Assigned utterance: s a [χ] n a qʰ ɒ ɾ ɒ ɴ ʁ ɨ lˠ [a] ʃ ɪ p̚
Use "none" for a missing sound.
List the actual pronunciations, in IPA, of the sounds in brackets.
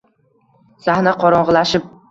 h, a

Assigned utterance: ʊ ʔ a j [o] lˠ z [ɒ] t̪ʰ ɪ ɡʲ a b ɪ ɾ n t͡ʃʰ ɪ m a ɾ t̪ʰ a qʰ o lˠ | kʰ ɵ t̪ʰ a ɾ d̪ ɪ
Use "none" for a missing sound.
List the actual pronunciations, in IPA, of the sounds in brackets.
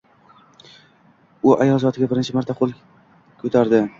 ɒ, ɒ

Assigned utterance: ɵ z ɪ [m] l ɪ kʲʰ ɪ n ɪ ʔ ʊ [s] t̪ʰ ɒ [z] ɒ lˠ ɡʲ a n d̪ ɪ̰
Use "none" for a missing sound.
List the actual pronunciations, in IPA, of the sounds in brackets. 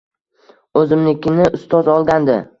m, s, z

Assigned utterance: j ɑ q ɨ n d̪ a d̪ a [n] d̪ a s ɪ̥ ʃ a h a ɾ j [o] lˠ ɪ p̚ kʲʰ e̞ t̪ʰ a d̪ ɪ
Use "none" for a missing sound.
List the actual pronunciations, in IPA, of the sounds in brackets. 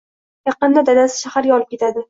none, ɒ

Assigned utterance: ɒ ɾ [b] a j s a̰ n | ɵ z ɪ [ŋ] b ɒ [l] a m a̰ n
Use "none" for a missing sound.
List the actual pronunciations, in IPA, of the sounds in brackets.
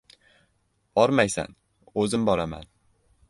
m, m, ɾ

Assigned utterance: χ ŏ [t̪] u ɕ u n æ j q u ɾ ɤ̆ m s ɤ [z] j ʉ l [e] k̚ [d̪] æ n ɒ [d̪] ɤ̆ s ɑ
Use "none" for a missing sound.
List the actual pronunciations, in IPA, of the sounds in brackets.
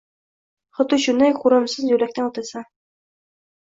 t̪, z, æ, t̪, t̪

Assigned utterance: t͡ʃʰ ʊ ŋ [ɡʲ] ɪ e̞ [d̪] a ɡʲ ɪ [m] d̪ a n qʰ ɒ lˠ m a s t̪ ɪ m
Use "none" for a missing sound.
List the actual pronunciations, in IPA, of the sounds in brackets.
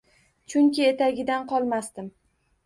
kʲ, t̪, none

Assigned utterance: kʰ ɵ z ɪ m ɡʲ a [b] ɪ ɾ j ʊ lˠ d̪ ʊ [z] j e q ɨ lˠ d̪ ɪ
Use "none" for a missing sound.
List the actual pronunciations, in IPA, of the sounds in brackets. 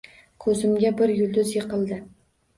b, z

